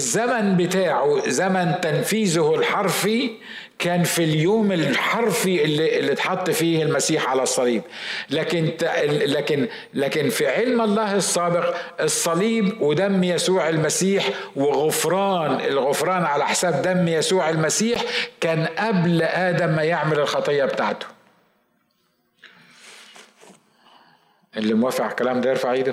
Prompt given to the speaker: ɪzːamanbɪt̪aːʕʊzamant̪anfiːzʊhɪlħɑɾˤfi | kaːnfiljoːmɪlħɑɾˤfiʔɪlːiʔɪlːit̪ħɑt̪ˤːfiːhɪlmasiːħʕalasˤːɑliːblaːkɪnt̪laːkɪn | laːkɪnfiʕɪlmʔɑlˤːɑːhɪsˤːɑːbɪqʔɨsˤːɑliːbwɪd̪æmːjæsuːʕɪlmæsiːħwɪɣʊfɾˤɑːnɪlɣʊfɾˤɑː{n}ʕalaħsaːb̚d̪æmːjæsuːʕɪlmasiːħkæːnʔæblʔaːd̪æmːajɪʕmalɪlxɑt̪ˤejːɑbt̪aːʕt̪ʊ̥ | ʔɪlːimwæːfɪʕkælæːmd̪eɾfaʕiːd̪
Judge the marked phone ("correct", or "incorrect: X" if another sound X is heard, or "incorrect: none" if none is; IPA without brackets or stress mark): correct